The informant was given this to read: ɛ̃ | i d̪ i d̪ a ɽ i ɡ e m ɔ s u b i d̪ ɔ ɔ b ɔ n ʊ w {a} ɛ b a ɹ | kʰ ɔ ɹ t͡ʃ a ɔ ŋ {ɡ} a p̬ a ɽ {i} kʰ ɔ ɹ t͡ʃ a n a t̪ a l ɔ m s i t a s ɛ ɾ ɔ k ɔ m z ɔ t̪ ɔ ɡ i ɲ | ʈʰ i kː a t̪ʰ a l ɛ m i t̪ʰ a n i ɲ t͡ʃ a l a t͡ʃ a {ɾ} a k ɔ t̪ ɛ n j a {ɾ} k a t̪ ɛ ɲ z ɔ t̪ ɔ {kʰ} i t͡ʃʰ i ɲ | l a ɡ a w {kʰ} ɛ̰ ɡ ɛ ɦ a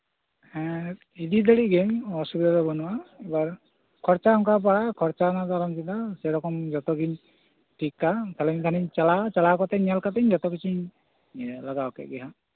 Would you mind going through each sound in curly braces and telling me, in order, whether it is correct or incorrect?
correct, incorrect: k, incorrect: a, incorrect: l, incorrect: l, incorrect: k, incorrect: k

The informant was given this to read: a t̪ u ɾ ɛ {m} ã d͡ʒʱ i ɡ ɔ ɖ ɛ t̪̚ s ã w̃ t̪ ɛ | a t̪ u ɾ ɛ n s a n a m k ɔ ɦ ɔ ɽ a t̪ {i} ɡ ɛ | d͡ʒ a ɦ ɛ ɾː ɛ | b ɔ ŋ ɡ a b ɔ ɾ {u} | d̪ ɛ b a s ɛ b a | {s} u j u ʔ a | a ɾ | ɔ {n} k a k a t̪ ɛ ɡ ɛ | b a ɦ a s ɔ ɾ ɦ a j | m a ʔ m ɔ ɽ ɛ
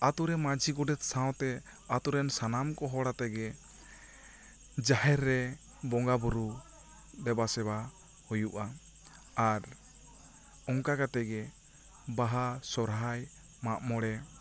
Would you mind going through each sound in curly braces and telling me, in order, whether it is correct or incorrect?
correct, incorrect: ɛ, correct, incorrect: h, incorrect: ŋ

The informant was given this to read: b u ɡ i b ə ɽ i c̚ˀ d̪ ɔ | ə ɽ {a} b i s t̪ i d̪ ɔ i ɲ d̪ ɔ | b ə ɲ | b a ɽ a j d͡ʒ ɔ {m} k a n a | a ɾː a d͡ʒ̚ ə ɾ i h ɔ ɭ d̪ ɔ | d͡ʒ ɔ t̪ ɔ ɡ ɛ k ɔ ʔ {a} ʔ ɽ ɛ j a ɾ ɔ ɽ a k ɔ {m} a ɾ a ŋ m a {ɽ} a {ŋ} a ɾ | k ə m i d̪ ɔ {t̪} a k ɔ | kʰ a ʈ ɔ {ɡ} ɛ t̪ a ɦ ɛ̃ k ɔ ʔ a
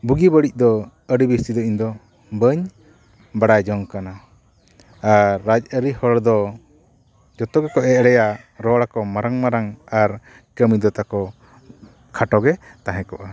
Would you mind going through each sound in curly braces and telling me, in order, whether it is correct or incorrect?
incorrect: i, incorrect: ŋ, incorrect: ɛ, correct, incorrect: ɾ, correct, correct, correct

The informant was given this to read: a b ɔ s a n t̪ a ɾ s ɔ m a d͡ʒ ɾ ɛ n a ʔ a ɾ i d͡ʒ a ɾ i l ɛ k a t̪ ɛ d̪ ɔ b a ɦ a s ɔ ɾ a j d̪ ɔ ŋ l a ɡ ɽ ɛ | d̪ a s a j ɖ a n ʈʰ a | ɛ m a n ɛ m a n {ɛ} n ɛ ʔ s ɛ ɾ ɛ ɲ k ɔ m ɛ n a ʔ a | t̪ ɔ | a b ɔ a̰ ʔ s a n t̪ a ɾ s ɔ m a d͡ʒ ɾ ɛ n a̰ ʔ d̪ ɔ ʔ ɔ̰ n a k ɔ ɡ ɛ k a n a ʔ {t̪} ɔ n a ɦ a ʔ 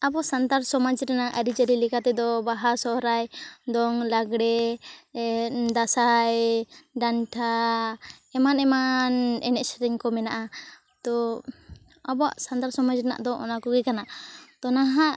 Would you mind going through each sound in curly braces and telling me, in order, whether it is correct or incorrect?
correct, correct

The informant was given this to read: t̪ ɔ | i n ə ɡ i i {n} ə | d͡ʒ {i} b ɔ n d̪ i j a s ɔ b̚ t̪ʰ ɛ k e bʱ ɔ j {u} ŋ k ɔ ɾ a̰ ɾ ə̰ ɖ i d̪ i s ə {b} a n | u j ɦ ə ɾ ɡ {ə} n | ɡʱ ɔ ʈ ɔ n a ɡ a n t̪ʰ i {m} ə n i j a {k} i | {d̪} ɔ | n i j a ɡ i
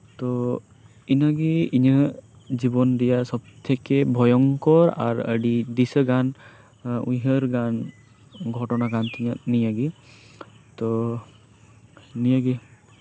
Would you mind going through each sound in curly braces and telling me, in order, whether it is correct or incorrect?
incorrect: ɲ, correct, incorrect: ɔ, incorrect: ɡ, incorrect: a, incorrect: ɲ, incorrect: ɡ, incorrect: t̪

